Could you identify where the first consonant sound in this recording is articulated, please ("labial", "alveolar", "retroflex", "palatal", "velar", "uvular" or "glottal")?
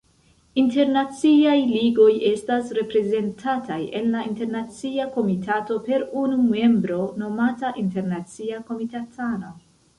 alveolar